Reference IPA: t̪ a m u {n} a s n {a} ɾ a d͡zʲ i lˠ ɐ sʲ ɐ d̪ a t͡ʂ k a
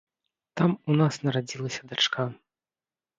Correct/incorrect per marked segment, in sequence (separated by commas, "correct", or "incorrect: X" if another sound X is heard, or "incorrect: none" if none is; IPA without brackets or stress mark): correct, incorrect: ɐ